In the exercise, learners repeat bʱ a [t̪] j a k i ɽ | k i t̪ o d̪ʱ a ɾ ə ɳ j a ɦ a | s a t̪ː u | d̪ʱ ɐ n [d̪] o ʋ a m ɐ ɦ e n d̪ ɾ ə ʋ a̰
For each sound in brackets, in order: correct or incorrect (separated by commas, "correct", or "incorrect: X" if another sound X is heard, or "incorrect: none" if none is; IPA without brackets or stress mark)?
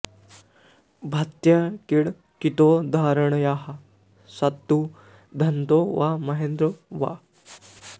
correct, incorrect: t̪